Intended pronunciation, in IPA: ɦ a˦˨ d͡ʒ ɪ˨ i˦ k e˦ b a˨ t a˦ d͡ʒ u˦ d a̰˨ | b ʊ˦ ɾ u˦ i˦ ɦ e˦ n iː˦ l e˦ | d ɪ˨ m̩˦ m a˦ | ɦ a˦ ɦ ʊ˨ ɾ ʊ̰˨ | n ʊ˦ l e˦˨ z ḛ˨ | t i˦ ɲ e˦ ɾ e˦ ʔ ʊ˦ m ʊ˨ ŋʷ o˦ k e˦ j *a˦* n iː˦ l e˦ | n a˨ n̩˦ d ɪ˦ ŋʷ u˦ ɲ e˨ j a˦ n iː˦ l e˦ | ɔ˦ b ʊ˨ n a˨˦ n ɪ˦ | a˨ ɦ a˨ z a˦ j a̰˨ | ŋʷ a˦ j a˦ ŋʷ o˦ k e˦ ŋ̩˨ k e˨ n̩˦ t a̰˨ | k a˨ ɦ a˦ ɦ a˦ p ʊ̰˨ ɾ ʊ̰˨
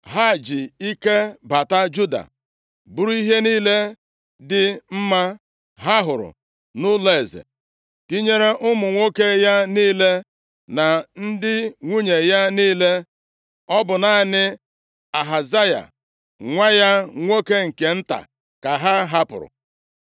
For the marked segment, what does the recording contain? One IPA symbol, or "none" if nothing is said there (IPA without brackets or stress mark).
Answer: a˦